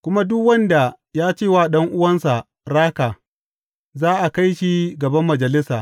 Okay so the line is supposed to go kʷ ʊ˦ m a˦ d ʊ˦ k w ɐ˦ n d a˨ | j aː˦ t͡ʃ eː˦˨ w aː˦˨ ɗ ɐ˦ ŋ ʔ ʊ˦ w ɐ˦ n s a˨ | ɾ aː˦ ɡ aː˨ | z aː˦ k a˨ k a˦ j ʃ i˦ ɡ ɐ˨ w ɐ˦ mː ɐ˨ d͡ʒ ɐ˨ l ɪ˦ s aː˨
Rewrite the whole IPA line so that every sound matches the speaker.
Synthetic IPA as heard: kʷ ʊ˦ m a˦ d ʊ˦ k w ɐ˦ n d a˨ | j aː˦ t͡ʃ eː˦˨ w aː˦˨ ɗ ɐ˦ ŋ ʔ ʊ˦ w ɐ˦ n s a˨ | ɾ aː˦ k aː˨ | z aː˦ ʔ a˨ k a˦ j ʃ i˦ ɡ ɐ˨ b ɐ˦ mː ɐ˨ d͡ʒ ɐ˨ l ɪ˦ s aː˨